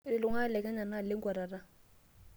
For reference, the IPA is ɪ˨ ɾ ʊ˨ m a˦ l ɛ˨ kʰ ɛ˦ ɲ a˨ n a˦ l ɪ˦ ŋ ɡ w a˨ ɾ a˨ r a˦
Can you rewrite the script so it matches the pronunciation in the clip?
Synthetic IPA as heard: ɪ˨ l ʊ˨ ŋ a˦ l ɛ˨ k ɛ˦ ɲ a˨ n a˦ l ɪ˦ ŋ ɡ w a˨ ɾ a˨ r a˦